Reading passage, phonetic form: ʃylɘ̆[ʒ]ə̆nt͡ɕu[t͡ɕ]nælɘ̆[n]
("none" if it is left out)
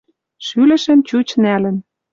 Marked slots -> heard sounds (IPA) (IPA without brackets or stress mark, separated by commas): ʃ, t͡ɕ, n